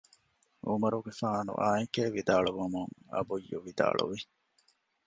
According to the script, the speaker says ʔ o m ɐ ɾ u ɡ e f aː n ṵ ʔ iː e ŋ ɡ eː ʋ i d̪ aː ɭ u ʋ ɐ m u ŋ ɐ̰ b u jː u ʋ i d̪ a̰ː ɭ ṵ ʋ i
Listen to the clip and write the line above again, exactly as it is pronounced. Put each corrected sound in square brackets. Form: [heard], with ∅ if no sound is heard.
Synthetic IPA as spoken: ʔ [u] m ɐ ɾ u ɡ e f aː n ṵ ʔ [aː] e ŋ [k] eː ʋ i d̪ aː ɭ u ʋ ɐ m u ŋ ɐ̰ b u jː u ʋ i d̪ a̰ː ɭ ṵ ʋ i